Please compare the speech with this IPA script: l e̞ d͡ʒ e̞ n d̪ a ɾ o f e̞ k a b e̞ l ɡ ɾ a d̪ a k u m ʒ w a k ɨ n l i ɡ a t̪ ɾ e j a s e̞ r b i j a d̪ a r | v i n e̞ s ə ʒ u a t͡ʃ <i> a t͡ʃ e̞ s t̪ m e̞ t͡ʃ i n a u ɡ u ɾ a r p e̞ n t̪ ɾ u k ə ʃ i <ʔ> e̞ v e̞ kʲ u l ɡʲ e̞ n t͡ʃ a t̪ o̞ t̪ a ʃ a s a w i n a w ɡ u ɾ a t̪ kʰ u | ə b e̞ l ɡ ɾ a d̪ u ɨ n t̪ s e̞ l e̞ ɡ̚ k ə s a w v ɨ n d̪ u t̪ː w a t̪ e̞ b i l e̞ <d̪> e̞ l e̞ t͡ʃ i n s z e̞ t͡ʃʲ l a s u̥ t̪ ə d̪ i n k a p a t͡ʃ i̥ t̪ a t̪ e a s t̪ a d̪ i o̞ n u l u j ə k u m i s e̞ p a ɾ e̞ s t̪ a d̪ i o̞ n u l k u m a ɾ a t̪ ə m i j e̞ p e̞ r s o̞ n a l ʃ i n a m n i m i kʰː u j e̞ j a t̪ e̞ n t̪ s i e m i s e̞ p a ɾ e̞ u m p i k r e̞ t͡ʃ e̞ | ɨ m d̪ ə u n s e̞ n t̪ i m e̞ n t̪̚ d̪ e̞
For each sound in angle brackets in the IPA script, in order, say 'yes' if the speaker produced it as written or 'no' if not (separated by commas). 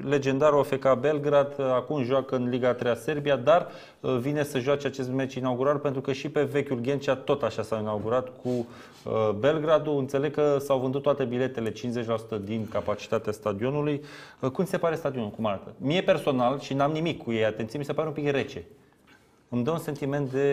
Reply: no, no, no